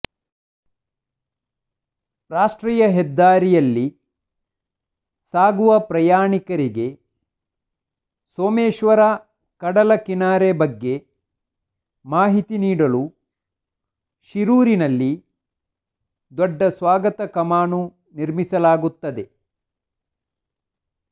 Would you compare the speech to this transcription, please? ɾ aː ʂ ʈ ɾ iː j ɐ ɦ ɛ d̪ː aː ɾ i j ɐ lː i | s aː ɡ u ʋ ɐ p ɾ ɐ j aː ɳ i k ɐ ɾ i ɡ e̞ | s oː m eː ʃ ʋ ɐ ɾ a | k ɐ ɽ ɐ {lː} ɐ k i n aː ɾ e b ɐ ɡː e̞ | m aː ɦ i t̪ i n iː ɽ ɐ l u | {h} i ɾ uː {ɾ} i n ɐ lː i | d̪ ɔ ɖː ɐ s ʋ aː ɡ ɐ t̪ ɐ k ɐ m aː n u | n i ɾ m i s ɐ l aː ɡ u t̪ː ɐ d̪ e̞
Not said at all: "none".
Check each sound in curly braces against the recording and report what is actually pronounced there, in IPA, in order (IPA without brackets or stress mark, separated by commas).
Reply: l, ʃ, ɾ